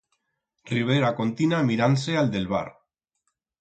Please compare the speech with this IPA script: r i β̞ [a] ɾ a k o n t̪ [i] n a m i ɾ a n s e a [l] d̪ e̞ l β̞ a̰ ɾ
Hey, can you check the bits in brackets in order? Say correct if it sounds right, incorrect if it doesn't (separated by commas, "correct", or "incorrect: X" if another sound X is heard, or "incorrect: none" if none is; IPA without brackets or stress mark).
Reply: incorrect: e, correct, correct